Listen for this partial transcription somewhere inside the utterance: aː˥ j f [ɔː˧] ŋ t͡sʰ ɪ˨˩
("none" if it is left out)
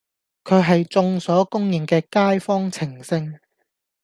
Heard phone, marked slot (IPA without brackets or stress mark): ɔː˥